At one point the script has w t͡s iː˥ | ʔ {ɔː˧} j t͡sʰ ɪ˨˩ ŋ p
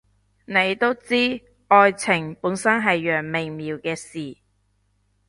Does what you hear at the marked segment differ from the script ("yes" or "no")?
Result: no